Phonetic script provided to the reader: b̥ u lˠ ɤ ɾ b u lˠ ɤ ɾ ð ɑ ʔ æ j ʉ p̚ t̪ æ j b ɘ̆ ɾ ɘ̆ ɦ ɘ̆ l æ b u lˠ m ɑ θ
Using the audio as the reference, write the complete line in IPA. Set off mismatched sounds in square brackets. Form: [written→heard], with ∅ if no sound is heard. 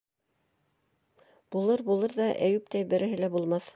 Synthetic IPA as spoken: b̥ u lˠ ɤ ɾ b u lˠ ɤ ɾ ð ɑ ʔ æ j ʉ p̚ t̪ æ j b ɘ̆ ɾ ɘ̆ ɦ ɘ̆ l æ b u lˠ m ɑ θ